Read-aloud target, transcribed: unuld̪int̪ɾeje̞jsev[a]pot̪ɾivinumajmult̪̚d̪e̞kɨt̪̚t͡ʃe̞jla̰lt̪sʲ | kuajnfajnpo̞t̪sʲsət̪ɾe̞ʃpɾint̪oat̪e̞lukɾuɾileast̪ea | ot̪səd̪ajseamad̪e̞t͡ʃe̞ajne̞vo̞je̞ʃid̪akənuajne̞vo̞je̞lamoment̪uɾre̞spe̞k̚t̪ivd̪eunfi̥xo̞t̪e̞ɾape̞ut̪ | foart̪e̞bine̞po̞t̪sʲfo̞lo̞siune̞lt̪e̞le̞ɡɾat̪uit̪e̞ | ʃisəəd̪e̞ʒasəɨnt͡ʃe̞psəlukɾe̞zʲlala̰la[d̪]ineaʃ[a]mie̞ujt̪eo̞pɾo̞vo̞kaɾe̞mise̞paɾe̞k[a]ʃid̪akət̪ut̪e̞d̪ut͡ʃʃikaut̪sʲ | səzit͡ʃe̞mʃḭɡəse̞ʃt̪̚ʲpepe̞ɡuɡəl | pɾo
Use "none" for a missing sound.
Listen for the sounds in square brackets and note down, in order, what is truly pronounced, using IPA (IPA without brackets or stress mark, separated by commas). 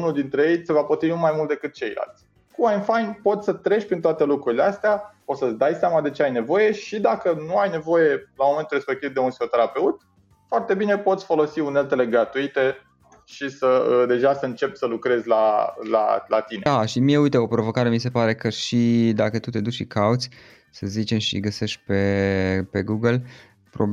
a, t̪, i, ə